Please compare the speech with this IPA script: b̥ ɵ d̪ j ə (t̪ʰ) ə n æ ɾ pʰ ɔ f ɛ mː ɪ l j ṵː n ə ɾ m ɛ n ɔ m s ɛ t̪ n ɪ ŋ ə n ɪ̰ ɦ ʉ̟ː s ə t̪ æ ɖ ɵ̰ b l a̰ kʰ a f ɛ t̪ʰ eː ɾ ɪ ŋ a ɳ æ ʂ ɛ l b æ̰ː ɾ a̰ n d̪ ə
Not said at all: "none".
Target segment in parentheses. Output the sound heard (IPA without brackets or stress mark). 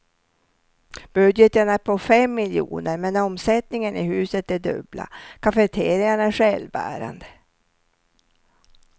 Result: t̪